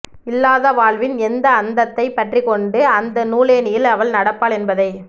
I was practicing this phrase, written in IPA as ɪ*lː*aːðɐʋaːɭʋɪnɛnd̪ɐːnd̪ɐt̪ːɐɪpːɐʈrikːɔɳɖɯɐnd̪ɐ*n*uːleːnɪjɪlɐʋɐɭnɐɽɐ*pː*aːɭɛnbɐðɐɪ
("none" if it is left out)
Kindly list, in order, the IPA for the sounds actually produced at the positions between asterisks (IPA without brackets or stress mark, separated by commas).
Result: lː, n, pː